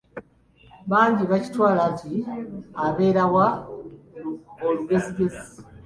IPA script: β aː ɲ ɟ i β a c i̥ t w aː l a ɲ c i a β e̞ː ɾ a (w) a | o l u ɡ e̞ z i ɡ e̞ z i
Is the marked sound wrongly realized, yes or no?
no